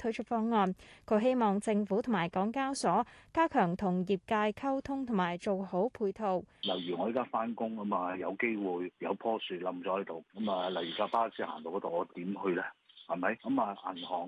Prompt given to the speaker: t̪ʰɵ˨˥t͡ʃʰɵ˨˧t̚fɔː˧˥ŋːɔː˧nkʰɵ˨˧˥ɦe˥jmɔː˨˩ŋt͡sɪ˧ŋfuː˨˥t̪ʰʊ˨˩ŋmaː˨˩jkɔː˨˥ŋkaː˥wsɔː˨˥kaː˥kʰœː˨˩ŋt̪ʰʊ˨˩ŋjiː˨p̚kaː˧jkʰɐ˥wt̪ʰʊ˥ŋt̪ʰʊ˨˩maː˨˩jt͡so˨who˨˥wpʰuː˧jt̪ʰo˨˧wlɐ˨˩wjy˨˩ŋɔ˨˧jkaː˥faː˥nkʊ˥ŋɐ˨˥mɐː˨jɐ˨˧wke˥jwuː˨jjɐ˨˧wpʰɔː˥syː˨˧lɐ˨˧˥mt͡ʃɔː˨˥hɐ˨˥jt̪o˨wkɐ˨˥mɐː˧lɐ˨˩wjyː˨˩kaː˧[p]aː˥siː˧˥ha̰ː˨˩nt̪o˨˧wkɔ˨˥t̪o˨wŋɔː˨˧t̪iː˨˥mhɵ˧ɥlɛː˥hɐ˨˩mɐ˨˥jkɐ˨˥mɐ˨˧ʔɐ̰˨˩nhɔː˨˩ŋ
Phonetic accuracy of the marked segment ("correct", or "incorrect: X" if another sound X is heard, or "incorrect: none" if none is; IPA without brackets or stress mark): correct